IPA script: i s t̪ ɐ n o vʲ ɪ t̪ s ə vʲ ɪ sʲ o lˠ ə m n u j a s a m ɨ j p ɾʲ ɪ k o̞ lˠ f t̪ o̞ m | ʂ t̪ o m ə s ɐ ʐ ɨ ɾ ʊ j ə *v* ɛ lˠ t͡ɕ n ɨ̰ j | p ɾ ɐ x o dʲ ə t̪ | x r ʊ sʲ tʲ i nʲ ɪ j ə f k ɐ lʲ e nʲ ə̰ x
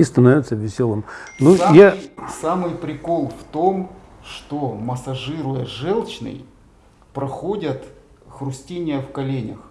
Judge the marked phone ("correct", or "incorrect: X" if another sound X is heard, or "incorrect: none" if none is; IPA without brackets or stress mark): incorrect: ʐ